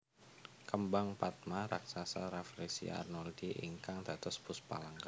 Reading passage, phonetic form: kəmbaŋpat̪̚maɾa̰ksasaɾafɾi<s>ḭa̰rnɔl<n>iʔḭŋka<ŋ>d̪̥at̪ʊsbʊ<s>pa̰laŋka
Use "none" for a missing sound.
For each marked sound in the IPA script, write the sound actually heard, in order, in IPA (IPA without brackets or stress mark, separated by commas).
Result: s, d, ŋ, s